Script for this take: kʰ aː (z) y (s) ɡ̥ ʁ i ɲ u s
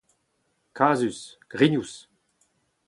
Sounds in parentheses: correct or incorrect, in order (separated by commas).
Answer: correct, correct